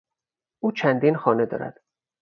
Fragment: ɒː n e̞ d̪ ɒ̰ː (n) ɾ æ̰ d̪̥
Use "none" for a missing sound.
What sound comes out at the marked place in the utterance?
none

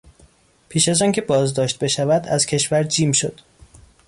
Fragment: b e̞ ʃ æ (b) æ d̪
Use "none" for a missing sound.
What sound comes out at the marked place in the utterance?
v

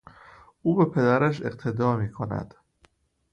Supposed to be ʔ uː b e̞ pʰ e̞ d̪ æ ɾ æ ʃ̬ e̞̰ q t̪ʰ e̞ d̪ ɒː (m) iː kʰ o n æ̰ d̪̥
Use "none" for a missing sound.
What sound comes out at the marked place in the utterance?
m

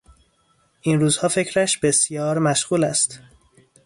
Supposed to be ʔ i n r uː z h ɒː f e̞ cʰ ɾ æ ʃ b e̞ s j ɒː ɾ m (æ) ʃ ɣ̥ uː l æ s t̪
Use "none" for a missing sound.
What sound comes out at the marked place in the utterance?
æ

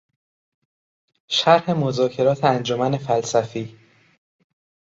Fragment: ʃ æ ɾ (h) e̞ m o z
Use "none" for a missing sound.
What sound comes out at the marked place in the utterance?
h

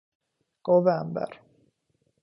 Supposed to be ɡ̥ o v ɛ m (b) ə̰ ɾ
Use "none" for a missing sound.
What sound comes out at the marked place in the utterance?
b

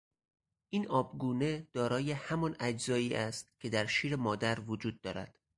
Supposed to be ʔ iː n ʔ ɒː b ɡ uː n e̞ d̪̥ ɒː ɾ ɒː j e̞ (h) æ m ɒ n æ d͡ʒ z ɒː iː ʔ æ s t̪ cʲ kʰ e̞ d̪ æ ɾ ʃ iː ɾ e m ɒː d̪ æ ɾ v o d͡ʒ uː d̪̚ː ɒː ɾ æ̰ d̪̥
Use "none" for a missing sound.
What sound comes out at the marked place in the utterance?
h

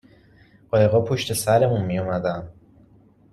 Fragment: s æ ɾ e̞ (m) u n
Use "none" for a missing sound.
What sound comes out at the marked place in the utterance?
m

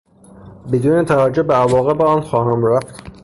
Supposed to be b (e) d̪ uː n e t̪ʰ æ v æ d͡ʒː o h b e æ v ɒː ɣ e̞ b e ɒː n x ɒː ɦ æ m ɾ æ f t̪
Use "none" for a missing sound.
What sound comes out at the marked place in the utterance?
e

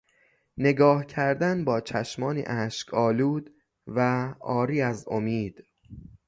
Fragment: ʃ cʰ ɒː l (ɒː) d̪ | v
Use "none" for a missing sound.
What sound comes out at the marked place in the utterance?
uː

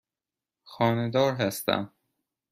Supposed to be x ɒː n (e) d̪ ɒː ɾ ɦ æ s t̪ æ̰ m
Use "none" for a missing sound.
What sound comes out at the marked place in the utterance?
e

